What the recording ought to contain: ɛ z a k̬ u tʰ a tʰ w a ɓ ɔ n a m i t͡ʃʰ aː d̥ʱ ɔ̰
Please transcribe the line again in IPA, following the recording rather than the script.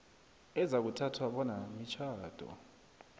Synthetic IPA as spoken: ɛ z a k̬ u tʰ a tʰ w a ɓ ɔ n a m i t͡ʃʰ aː d̥ʱ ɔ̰